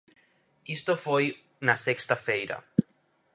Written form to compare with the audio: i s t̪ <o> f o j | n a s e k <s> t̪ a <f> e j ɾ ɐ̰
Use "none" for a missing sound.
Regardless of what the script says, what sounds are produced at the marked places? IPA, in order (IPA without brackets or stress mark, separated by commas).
o, s, f